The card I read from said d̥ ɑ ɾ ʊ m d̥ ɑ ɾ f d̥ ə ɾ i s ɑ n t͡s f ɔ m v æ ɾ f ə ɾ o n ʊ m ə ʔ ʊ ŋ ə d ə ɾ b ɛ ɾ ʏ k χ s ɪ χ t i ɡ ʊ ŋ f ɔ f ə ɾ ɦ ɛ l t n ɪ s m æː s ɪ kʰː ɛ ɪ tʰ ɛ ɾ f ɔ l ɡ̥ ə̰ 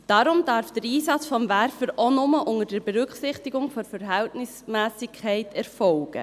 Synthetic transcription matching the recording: d̥ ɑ ɾ ʊ m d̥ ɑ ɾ f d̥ ə ɾ iː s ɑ t͡s f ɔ m v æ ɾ f ə ɾ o n ʊ m ə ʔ ʊ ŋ ə d ə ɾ b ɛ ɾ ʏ k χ s ɪ χ t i ɡ ʊ ŋ f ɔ f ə ɾ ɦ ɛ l t n ɪ s m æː s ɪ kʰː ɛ ɪ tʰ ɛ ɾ f ɔ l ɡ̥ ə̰